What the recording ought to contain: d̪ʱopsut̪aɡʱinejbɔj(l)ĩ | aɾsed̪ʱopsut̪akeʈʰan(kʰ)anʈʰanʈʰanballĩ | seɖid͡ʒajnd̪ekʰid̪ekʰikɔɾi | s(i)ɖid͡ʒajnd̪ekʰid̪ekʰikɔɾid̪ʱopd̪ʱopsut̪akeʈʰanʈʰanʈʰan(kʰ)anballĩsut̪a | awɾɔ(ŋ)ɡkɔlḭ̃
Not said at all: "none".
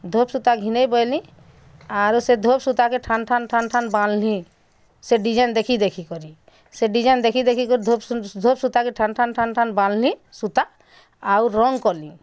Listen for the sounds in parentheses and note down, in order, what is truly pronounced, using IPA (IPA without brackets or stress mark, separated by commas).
l, ʈʰ, e, ʈʰ, ŋ